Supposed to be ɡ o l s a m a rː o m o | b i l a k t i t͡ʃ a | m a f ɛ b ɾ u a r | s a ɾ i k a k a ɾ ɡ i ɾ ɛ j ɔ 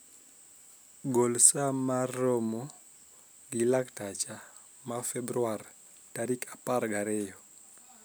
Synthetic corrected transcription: ɡ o l s a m a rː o m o | ɡ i l a k t a t͡ʃ a | m a f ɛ b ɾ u a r | t a ɾ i k a p a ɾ ɡ a ɾ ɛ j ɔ

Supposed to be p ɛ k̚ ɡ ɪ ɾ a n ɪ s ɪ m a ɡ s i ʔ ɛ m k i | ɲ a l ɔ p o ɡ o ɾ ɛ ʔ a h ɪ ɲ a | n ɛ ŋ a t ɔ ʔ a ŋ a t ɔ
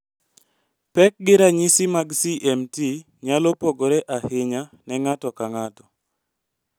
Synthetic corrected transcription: p ɛ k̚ ɡ ɪ ɾ a ɲ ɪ s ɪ m a ɡ s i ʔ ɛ m t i | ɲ a l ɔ p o ɡ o ɾ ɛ ʔ a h ɪ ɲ a | n ɛ ŋ a t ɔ k a ŋ a t ɔ

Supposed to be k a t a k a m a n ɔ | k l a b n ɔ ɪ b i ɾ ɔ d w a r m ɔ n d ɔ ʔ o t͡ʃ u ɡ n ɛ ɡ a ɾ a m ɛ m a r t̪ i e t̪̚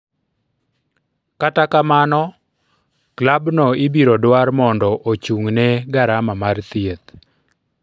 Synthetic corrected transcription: k a t a k a m a n ɔ | k l a b n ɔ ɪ b i ɾ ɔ d w a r m ɔ n d ɔ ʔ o t͡ʃ u ŋ n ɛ ɡ a ɾ a m a m a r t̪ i e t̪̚

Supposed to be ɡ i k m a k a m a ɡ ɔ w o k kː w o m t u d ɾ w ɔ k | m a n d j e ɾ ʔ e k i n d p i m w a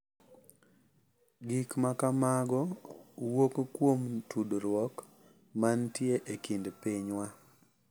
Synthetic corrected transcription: ɡ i k m a k a m a ɡ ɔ w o k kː w o m t u d ɾ w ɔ k | m a n t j e ʔ e k i n d p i ɲ w a

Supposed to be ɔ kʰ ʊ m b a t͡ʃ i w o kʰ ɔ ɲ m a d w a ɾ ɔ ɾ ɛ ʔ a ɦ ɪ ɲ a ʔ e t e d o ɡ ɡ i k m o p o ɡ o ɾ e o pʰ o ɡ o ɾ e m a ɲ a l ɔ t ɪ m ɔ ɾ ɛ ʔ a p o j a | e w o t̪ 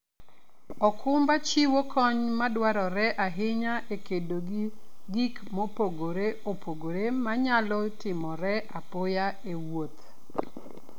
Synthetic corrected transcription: ɔ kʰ ʊ m b a t͡ʃ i w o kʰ ɔ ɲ m a d w a ɾ ɔ ɾ ɛ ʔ a ɦ ɪ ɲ a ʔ e k e d o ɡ ɡ i k m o p o ɡ o ɾ e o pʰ o ɡ o ɾ e m a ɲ a l ɔ t ɪ m ɔ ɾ ɛ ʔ a p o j a | e w o t̪

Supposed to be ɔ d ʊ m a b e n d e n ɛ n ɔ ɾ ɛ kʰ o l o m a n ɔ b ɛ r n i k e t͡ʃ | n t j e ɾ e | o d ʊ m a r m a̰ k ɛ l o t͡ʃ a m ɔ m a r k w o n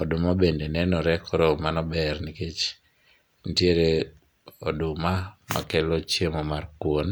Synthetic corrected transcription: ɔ d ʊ m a b e n d e n ɛ n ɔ ɾ ɛ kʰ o ɾ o m a n ɔ b ɛ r n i k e t͡ʃ | n t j e ɾ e | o d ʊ m a m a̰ k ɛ l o t͡ʃ e m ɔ m a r k w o n

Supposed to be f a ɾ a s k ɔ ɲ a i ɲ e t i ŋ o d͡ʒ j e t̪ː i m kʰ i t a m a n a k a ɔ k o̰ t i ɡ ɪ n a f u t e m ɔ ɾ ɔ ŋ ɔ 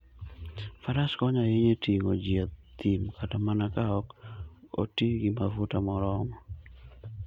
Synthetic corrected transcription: f a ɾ a s k ɔ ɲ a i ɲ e t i ŋ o d͡ʒ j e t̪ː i m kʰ a t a m a n a k a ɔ k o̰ t i ɡ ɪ m a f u t a m ɔ ɾ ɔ ŋ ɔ

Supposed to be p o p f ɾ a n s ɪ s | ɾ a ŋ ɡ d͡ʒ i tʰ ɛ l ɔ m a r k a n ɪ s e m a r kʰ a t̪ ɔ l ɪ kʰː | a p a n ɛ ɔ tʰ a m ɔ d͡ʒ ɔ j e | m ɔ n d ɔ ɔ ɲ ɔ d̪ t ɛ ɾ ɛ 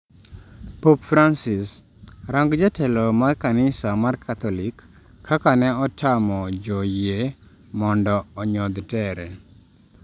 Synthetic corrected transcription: p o p f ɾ a n s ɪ s | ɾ a ŋ ɡ d͡ʒ a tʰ ɛ l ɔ m a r k a n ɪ s a m a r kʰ a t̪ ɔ l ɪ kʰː | a k a n ɛ ɔ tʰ a m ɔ d͡ʒ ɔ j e | m ɔ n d ɔ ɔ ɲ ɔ d̪ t ɛ ɾ ɛ

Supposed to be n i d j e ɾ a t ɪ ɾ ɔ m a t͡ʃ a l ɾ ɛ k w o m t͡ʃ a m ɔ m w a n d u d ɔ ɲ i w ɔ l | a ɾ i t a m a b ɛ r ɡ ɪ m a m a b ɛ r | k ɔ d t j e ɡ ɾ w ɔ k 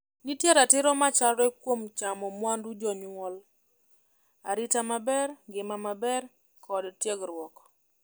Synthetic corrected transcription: n i t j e ɾ a t ɪ ɾ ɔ m a t͡ʃ a l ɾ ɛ k w o m t͡ʃ a m ɔ m w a n d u d͡ʒ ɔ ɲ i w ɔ l | a ɾ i t a m a b ɛ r ɡ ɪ m a m a b ɛ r | k ɔ d t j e ɡ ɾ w ɔ k

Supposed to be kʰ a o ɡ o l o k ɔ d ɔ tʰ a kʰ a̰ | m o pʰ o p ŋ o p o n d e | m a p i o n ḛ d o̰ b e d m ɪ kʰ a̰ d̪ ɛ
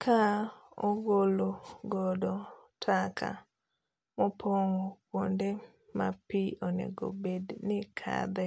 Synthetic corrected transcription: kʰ a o ɡ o l o ɡ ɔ d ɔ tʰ a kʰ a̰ | m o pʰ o ŋ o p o n d e | m a p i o n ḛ ɡ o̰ b e d n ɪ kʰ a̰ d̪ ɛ

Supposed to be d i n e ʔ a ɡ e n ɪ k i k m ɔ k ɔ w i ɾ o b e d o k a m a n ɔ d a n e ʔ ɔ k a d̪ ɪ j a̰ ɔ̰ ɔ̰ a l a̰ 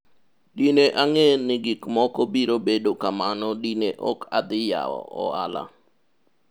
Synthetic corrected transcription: d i n e ʔ a ŋ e n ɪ ɡ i k m ɔ k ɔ b i ɾ o b e d o k a m a n ɔ d i n e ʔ ɔ k a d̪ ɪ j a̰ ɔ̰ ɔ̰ a l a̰

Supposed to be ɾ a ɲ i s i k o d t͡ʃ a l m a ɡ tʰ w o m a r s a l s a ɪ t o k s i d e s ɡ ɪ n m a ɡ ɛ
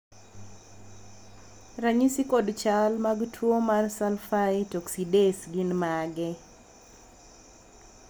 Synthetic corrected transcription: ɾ a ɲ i s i k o d t͡ʃ a l m a ɡ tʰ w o m a r s a l f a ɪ t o k s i d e s ɡ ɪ n m a ɡ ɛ

